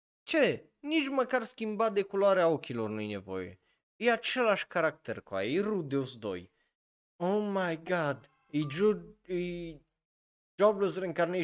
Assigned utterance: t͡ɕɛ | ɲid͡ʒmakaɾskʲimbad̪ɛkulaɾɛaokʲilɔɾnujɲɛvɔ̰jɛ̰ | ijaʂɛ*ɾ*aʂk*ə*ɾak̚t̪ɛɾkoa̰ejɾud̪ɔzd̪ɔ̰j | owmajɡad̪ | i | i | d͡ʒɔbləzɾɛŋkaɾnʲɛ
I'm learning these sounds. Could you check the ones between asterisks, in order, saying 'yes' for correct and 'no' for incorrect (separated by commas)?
no, no